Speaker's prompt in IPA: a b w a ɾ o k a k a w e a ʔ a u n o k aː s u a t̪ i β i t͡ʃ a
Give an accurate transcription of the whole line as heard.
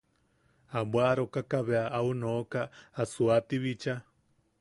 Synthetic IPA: a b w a ɾ o k a k a β e a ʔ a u n o k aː s u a t̪ i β i t͡ʃ a